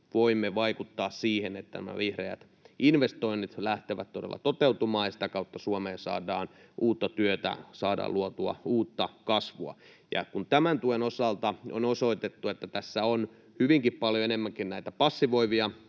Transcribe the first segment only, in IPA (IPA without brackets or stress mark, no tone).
ʋ